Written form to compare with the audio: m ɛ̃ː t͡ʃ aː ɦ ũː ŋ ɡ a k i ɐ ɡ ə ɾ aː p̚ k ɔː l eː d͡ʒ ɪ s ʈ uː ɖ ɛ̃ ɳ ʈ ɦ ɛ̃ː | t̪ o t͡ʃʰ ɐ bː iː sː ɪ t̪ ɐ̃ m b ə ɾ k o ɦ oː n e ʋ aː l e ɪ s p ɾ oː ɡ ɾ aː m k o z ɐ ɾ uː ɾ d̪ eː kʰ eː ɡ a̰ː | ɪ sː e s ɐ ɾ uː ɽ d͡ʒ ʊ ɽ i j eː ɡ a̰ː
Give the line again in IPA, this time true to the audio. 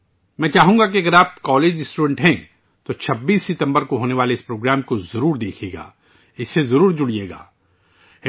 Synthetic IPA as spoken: m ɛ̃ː t͡ʃ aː ɦ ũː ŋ ɡ a k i ɐ ɡ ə ɾ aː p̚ k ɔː l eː d͡ʒ ɪ s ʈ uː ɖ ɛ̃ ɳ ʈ ɦ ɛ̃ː | t̪ o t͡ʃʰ ɐ bː iː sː ɪ t̪ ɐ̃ m b ə ɾ k o ɦ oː n e ʋ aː l e ɪ s p ɾ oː ɡ ɾ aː m k o z ɐ ɾ uː ɾ d̪ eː kʰ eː ɡ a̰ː | ɪ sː e z ɐ ɾ uː ɾ d͡ʒ ʊ ɽ i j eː ɡ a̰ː